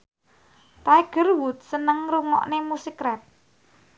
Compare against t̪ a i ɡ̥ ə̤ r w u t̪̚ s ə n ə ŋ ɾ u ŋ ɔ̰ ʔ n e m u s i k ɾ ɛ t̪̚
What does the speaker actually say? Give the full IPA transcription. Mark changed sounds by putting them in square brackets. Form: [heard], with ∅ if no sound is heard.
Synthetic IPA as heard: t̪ a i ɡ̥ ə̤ r w u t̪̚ s ə n ə ŋ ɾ u ŋ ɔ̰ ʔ n e m u s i k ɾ ɛ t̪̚